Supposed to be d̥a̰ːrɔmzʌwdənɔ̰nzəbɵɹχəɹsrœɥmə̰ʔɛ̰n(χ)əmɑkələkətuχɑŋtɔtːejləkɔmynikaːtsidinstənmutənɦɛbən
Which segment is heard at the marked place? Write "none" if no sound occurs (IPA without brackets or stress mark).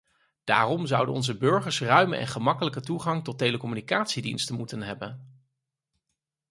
χ